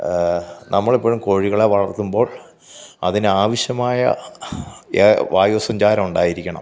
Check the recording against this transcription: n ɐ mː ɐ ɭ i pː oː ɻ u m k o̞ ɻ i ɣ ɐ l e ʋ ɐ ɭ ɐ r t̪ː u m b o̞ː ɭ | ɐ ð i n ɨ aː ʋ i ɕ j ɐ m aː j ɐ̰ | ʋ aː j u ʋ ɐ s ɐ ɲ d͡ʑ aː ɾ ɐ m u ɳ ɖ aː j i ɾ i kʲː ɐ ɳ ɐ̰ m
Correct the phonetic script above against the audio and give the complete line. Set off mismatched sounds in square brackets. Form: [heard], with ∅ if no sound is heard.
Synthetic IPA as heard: n ɐ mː ɐ ɭ i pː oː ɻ u m k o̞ ɻ i ɣ ɐ [ɭ] e ʋ ɐ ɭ ɐ r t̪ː u m b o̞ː ɭ | ɐ ð i n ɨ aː ʋ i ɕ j ɐ m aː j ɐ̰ | ʋ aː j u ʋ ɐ s ɐ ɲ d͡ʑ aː ɾ ɐ m u ɳ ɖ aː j i ɾ i kʲː ɐ ɳ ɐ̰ m

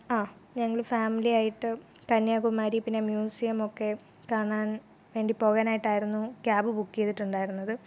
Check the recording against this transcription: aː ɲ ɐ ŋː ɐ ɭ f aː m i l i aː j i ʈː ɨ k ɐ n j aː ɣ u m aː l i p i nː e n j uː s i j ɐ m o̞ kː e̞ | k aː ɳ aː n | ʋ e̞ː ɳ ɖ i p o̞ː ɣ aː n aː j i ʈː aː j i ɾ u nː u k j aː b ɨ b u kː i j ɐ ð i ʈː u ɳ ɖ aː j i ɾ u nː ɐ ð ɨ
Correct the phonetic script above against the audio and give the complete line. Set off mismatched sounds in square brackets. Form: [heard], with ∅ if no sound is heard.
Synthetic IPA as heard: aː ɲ ɐ ŋː ɐ ɭ f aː m i l i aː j i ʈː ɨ k ɐ n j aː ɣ u m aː [ɾ] i p i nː e [m] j uː s i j ɐ m o̞ kː e̞ | k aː ɳ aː n | ʋ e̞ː ɳ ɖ i p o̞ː ɣ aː n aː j i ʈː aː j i ɾ u nː u k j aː b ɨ b u kː i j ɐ ð i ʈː u ɳ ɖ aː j i ɾ u nː ɐ ð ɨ

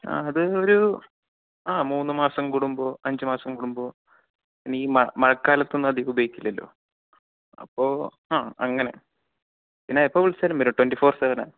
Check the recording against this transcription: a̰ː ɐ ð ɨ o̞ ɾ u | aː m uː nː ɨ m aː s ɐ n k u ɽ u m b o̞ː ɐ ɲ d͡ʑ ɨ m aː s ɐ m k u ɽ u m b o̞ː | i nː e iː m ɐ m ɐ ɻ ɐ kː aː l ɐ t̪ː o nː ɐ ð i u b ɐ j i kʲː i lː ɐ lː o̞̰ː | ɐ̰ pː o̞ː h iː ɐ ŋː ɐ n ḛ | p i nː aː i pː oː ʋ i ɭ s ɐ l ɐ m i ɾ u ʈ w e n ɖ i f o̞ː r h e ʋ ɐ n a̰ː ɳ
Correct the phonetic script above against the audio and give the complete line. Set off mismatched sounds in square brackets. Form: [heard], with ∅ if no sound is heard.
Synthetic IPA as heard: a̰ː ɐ ð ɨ o̞ ɾ u | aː m uː nː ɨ m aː s ɐ [m] k u ɽ u m b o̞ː ɐ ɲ d͡ʑ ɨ m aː s ɐ m k u ɽ u m b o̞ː | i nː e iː m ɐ m ɐ ɻ ɐ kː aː l ɐ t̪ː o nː ɐ ð i u b ɐ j i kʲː i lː ɐ lː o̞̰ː | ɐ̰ pː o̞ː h [aː] ɐ ŋː ɐ n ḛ | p i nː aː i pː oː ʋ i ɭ s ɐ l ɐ m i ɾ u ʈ w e n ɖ i f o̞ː r [s] e ʋ ɐ n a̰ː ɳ

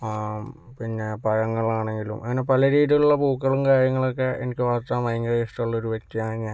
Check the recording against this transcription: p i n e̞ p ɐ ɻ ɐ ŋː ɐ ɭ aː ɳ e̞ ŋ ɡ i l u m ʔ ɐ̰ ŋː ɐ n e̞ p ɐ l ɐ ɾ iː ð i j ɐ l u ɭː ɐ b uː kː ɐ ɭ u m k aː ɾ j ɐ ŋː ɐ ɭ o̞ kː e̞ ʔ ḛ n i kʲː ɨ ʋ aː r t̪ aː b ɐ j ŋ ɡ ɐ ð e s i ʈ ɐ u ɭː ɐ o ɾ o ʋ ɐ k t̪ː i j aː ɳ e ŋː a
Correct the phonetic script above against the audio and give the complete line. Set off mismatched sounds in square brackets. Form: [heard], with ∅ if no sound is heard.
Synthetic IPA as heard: p i [nː] e̞ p ɐ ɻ ɐ ŋː ɐ ɭ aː ɳ e̞ ŋ ɡ i l u m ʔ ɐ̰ ŋː ɐ n e̞ p ɐ l ɐ ɾ iː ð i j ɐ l u ɭː ɐ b uː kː ɐ ɭ u m k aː ɾ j ɐ ŋː ɐ ɭ o̞ kː e̞ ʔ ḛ n i kʲː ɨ ʋ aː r t̪ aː [m] ɐ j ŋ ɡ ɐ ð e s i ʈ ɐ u ɭː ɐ o ɾ [u] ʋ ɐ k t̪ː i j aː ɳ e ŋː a

